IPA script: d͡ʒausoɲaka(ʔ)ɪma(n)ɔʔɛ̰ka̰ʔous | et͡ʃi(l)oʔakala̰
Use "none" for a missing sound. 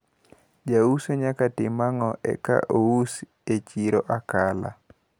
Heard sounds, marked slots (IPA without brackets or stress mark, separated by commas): t, ŋ, ɾ